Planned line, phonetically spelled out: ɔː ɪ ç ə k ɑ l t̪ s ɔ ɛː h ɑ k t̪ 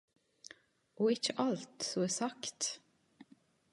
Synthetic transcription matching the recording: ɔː ɪ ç ə ʔ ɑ l t̪ s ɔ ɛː s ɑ k t̪